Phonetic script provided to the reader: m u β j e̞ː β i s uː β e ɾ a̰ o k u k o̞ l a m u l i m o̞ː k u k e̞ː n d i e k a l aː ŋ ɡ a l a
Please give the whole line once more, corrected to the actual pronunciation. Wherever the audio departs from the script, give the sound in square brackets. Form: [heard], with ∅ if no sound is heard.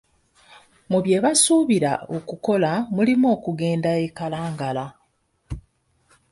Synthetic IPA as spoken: m u β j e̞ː β [a] s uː β [i] ɾ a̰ o k u k o̞ l a m u l i m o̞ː k u [ɡ] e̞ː n d [a] e k a l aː ŋ ɡ a l a